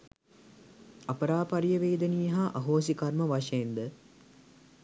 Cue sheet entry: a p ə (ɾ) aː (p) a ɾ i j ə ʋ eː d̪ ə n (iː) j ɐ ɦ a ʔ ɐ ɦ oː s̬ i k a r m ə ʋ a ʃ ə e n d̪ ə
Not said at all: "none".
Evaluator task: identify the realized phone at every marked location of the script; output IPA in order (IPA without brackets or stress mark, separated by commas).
ɾ, p, i